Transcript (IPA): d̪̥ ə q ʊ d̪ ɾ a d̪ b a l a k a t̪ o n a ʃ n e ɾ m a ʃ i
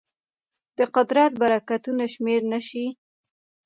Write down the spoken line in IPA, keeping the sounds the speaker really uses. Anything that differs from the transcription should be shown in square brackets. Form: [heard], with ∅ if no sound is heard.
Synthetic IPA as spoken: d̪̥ ə q ʊ d̪ ɾ a [t̪] b a [ɾ] a k a t̪ [u] n a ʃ [m] e ɾ [n] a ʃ i